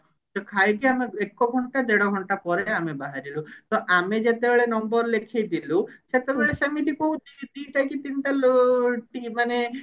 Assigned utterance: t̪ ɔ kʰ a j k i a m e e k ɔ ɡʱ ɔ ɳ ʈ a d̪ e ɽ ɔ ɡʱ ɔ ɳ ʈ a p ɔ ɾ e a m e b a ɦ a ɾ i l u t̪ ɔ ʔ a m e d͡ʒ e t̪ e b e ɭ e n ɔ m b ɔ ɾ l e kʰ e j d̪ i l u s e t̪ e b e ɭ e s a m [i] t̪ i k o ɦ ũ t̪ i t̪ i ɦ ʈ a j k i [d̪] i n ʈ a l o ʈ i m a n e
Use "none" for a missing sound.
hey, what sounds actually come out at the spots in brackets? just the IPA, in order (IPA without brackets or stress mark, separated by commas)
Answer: i, t̪